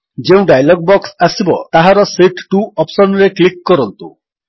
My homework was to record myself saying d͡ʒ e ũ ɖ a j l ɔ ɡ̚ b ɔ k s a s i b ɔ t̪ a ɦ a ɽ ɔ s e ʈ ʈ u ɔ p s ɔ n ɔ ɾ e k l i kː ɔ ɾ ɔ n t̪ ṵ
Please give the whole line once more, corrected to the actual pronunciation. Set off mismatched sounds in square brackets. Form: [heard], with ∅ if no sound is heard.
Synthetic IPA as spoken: d͡ʒ e ũ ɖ a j l ɔ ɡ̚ b ɔ k s a s i b ɔ t̪ a ɦ a [ɾ] ɔ s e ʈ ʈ u ɔ p s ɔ n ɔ ɾ e k l i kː ɔ ɾ ɔ n t̪ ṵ